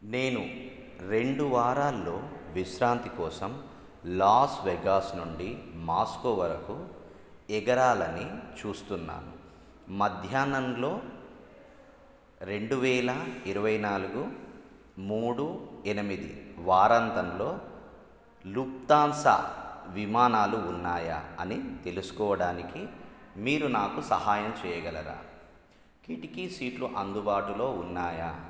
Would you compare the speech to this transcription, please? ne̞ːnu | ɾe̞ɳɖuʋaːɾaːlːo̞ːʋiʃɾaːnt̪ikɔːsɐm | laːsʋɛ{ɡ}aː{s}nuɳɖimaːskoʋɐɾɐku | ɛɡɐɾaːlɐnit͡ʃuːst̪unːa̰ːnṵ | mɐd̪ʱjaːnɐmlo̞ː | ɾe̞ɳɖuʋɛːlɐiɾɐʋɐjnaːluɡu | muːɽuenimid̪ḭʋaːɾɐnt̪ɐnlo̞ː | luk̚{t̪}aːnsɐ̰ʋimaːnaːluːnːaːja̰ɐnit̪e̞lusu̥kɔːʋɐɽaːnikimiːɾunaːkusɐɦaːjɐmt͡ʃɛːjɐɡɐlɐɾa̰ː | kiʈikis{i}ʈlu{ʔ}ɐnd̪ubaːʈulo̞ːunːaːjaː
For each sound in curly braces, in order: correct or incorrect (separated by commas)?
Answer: correct, correct, correct, incorrect, correct